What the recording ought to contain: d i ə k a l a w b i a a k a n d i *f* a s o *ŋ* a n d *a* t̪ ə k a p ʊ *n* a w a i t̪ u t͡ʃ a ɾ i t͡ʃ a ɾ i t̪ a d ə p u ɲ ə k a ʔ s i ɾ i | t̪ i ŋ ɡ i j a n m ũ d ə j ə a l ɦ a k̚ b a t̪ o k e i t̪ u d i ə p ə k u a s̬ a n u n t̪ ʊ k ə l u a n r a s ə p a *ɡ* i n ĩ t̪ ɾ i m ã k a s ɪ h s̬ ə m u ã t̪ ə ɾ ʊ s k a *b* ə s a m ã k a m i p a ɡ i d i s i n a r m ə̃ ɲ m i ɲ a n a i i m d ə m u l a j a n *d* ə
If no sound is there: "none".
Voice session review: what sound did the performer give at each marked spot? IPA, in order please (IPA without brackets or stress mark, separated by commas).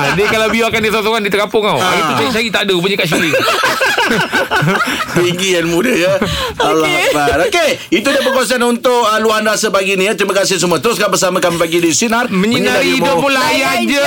s, ŋ, i, ŋ, ɡ, b, d͡ʒ